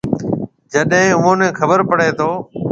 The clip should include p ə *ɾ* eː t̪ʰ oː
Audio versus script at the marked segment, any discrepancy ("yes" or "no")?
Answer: yes